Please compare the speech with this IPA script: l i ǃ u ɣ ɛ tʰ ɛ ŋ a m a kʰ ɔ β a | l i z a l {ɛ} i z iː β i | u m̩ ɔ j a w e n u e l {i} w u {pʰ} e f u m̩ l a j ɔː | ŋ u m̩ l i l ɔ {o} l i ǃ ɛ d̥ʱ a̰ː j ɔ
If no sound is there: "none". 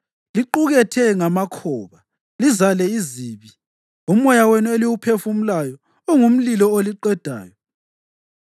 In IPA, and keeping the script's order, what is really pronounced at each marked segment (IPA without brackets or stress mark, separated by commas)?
ɛ, i, pʰ, o